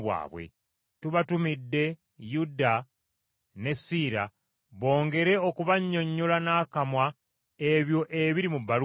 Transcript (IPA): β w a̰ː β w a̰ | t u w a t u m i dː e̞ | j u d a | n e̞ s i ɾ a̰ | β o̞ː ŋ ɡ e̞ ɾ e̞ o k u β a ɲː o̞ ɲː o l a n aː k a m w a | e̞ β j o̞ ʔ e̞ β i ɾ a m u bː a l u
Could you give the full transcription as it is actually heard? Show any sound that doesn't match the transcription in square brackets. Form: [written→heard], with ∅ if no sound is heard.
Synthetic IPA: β w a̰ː β w [a̰→ḛ] | t u [w→β] a t u m i dː e̞ | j u d a | n e̞ s i ɾ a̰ | β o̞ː ŋ ɡ e̞ ɾ e̞ o k u β a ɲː o̞ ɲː o l a n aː k a m w a | e̞ β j o̞ ʔ e̞ β i ɾ [a→i] m u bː a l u